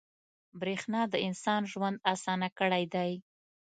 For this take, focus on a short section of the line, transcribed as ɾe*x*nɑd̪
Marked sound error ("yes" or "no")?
no